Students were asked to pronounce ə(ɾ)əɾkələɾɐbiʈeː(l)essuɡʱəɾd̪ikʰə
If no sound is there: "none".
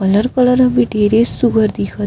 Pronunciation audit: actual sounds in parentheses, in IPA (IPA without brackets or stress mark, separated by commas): l, ɾ